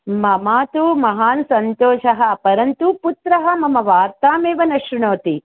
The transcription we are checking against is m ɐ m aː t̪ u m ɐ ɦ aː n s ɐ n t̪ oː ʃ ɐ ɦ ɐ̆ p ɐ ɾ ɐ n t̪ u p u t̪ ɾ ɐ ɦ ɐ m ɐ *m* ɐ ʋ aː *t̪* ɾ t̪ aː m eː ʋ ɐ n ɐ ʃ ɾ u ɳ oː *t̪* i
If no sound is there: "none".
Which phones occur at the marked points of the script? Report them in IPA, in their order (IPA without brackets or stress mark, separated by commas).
m, none, t̪